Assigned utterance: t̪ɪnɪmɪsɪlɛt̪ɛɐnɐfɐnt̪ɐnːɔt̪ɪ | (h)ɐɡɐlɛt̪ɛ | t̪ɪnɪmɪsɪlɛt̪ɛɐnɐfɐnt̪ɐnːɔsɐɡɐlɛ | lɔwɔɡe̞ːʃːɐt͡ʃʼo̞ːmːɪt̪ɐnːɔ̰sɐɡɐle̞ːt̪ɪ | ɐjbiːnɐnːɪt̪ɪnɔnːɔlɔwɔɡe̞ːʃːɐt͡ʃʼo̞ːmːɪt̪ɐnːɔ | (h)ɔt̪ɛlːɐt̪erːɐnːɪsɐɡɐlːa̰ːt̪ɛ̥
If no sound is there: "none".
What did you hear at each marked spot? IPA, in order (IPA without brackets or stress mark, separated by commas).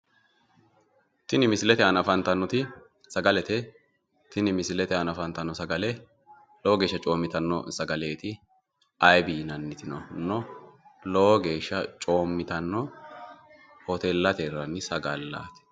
s, h